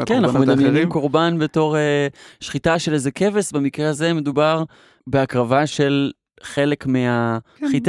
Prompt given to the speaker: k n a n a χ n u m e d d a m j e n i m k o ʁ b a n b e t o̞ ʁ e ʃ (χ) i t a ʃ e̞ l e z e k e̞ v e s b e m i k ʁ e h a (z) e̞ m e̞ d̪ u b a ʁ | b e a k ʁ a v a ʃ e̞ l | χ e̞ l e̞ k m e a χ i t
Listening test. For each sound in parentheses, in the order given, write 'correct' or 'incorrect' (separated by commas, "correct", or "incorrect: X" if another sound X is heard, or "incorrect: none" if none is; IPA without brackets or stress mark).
correct, correct